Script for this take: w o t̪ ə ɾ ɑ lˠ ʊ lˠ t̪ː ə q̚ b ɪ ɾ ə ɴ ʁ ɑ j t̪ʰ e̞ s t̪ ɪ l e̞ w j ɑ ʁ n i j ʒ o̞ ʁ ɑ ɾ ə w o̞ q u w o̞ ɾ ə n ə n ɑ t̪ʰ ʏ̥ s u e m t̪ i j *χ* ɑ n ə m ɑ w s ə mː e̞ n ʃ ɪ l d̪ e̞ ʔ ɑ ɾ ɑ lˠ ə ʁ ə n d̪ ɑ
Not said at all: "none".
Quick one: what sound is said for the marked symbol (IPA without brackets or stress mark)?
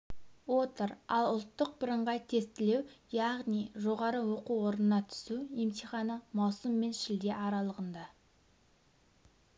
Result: χ